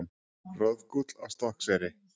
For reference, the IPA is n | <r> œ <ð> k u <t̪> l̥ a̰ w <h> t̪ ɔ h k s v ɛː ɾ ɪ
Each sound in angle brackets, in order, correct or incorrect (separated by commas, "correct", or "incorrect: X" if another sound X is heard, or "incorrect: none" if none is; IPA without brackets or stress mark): correct, correct, correct, incorrect: s